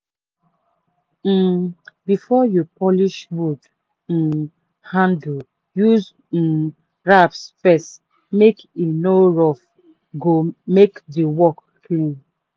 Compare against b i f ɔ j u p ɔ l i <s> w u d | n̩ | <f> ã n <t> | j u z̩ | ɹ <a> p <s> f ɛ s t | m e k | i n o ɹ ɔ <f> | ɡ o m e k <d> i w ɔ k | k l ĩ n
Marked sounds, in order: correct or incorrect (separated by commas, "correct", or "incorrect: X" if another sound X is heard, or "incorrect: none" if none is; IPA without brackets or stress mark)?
incorrect: ʃ, incorrect: h, incorrect: d, correct, correct, correct, correct